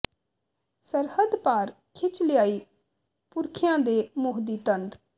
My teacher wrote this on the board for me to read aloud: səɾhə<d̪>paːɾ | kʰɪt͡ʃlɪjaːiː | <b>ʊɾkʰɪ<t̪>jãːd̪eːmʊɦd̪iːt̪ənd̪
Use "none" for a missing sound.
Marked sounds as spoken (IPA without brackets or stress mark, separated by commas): d̪, p, none